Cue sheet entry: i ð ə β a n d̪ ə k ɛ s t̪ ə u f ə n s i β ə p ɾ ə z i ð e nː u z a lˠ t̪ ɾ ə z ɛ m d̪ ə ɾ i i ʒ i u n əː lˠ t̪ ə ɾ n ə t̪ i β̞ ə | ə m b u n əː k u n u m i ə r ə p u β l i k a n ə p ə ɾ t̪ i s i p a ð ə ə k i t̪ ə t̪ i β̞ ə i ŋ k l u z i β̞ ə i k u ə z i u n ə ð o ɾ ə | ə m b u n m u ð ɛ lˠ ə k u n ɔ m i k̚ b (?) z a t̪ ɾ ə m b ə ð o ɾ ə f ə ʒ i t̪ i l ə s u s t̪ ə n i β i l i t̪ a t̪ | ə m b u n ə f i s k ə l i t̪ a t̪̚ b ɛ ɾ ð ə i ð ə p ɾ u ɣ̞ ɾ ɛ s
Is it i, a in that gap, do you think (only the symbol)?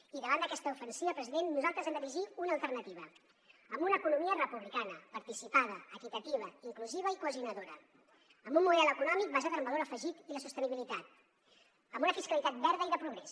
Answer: a